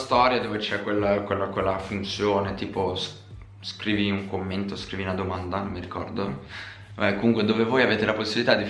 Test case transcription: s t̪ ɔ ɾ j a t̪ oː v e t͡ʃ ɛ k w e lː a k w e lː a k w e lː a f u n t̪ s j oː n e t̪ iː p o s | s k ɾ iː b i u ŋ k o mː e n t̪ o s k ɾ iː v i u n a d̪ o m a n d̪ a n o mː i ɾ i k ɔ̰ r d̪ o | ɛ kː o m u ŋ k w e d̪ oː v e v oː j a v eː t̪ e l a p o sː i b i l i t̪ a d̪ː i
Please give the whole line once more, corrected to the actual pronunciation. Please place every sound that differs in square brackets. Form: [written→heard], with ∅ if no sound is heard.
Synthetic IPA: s t̪ ɔ ɾ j a [t̪→d̪] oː v e t͡ʃ ɛ k w e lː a k w e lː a k w e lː a f u n t̪ s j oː n e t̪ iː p o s | s k ɾ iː [b→v] i u ŋ k o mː e n t̪ o s k ɾ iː v i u n a d̪ o m a n d̪ a n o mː i ɾ i k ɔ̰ r d̪ o | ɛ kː o m u ŋ k w e d̪ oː v e v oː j a v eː t̪ e l a p o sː i b i l i t̪ a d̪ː i